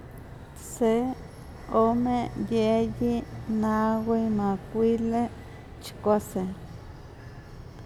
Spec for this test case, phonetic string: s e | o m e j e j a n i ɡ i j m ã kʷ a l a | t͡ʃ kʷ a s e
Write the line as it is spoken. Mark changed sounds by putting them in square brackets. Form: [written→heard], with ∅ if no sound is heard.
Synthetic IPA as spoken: s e | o m e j e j [a→i] n [i→a] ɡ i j m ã kʷ [a→i] l [a→e] | t͡ʃ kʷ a s e